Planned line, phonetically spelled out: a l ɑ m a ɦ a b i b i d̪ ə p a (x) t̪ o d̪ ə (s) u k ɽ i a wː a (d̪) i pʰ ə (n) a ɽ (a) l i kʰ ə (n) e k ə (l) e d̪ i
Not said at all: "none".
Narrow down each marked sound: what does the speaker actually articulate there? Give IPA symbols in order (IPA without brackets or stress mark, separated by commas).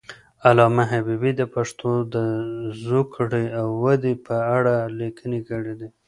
ʂ, z, d̪, none, a, n, ɽ